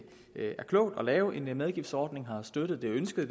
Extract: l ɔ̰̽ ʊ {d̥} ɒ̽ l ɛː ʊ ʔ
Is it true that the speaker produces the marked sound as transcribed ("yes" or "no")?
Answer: yes